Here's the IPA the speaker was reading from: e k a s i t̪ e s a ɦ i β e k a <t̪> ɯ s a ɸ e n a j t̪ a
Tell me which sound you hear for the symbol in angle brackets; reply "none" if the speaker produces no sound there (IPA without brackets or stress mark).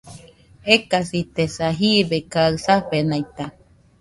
none